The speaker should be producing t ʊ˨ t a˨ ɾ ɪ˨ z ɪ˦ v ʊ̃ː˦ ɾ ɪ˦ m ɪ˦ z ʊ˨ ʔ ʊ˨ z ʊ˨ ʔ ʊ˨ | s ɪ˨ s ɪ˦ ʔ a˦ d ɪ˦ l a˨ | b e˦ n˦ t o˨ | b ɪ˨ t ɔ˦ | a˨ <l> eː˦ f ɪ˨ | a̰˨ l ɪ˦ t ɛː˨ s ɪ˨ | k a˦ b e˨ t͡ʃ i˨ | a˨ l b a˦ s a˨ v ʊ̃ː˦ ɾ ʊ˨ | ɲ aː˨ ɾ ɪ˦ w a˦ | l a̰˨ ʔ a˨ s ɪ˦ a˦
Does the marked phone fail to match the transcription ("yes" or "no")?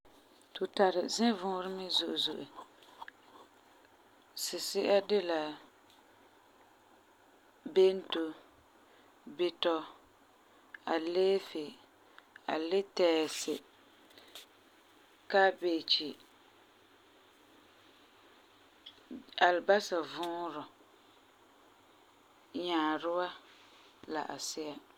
no